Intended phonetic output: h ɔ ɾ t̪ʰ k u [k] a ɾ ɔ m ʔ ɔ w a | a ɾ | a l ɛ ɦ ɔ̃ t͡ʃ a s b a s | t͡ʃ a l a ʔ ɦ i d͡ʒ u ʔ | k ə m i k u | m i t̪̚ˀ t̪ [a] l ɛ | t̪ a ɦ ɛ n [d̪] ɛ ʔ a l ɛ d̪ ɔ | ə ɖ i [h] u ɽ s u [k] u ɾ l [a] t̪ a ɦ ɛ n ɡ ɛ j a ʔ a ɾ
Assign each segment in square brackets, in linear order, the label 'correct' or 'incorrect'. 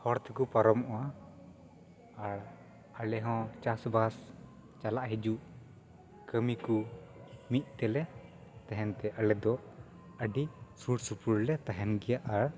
incorrect: p, incorrect: ɛ, incorrect: t̪, incorrect: s, incorrect: p, incorrect: ɛ

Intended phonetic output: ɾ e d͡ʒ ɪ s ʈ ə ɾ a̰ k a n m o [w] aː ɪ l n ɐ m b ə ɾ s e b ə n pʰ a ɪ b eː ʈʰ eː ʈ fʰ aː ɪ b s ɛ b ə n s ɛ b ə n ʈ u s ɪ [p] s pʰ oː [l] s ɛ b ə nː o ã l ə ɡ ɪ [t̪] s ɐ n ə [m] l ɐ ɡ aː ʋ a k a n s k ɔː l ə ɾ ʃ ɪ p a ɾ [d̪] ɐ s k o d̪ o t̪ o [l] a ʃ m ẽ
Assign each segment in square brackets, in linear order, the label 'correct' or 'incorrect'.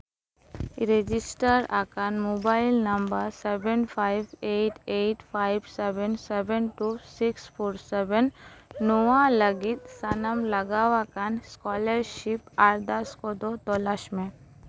incorrect: b, incorrect: k, incorrect: ɾ, correct, correct, correct, correct

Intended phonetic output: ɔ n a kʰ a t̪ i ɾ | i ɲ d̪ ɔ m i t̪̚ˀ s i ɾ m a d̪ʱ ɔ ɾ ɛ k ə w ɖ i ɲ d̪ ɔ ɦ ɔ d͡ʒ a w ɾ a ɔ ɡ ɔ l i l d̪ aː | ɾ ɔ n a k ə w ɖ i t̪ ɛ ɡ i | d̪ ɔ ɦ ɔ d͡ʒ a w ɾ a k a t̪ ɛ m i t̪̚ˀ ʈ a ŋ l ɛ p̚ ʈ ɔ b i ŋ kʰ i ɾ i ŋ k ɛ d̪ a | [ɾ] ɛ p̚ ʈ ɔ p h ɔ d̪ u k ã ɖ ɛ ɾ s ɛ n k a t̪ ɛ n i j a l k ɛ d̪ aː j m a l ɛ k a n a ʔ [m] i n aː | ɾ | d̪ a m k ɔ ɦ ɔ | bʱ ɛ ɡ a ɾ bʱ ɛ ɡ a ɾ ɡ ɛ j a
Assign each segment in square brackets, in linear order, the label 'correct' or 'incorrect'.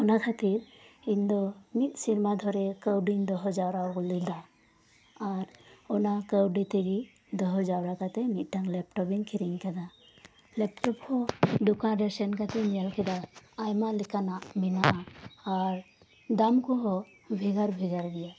incorrect: l, correct

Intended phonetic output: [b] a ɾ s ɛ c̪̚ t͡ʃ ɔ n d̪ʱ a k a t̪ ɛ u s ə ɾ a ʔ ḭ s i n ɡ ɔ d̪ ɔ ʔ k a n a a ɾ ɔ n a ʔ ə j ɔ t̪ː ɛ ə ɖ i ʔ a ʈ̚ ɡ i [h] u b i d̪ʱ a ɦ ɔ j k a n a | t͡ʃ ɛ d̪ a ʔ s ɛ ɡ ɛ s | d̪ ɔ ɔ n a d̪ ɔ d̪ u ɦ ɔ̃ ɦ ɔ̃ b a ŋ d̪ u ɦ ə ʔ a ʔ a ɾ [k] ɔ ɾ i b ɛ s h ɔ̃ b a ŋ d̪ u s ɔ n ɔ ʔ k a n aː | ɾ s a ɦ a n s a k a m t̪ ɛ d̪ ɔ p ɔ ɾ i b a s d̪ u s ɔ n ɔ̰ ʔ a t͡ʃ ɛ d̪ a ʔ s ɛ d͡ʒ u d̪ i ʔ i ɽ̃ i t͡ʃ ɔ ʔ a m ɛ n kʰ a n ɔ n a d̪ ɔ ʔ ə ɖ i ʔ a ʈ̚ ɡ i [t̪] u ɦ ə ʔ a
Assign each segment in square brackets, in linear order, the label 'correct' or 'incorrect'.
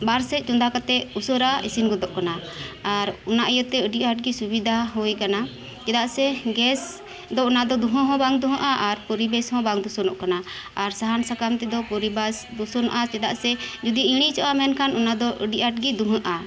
correct, incorrect: s, incorrect: p, incorrect: d̪

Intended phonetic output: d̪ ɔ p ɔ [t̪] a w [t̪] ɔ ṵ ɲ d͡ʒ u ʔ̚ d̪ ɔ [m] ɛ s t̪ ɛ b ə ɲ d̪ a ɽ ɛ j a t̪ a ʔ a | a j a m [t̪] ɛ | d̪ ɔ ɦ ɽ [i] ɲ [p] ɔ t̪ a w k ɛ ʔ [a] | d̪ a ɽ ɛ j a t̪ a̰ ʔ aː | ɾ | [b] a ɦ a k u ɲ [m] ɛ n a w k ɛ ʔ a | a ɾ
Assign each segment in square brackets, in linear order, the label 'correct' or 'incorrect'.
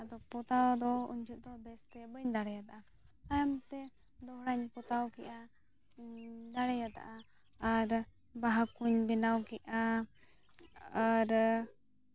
correct, incorrect: d̪, incorrect: b, correct, incorrect: a, correct, correct, correct, incorrect: b

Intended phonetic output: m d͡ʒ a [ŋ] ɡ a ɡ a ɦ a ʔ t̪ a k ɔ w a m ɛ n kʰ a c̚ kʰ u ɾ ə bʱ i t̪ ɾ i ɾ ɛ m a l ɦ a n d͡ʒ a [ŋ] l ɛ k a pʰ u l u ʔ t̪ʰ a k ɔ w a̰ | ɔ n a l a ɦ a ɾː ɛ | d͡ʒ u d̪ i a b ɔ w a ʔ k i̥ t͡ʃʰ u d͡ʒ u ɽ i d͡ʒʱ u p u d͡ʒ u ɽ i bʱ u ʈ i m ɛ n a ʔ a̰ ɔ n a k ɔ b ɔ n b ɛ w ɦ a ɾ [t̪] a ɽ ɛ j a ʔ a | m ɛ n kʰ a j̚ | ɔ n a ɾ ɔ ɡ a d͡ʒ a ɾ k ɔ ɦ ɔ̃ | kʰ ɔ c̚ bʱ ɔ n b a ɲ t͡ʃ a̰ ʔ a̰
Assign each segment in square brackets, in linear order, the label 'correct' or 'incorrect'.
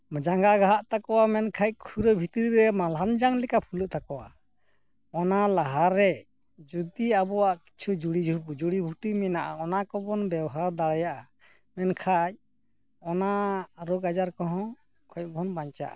correct, correct, incorrect: d̪

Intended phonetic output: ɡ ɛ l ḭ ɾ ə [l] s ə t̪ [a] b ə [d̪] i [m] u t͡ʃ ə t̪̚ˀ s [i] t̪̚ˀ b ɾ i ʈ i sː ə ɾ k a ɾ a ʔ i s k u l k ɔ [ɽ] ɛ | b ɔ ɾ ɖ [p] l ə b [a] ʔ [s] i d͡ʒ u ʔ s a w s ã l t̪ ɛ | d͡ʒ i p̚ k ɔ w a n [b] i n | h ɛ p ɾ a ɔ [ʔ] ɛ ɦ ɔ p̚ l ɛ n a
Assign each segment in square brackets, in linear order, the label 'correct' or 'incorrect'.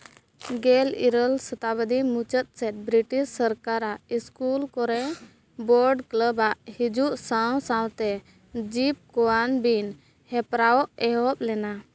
correct, correct, correct, correct, incorrect: ɛ, incorrect: ɾ, incorrect: k, correct, incorrect: h, correct, correct

